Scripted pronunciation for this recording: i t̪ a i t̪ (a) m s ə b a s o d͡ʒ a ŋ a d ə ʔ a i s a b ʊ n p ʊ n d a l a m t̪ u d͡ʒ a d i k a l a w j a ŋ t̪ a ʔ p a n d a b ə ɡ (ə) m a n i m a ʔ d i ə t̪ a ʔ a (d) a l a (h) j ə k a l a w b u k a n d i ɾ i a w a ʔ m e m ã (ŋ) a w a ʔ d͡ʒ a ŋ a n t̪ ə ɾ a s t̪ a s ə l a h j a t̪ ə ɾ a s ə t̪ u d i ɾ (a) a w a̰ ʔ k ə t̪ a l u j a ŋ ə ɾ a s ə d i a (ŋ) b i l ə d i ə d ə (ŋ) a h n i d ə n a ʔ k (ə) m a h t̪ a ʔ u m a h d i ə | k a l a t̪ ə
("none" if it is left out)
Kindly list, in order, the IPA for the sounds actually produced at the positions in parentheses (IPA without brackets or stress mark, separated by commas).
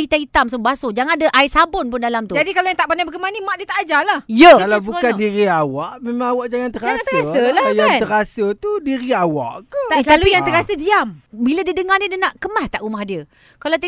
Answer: a, ə, d͡ʒ, h, ŋ, i, m, ŋ, ə